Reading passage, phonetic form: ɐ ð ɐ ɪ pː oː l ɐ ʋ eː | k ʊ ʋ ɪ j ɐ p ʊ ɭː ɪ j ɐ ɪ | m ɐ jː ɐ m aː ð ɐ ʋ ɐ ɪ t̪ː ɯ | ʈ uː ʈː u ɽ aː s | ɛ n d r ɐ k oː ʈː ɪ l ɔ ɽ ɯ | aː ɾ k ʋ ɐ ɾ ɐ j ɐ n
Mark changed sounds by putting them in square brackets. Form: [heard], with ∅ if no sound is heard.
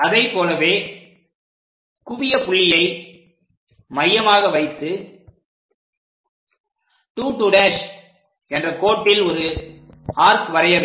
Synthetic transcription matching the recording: ɐ ð ɐ ɪ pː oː l ɐ ʋ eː | k ʊ ʋ ɪ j ɐ p ʊ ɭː ɪ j ɐ ɪ | m ɐ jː ɐ m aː [ɣ] ɐ ʋ ɐ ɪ t̪ː ɯ | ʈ uː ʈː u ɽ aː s | ɛ n d r ɐ k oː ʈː ɪ l ɔ [ɾ] ɯ | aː ɾ k ʋ ɐ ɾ ɐ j ɐ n